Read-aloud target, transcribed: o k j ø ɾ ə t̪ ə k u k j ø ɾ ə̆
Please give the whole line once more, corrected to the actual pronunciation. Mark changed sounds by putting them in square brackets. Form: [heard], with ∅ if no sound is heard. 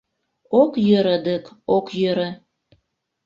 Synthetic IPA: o k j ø ɾ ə [d̪] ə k [o] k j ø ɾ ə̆